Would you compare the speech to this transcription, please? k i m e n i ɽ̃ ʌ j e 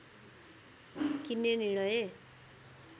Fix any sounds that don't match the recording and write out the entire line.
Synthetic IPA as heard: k i n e n i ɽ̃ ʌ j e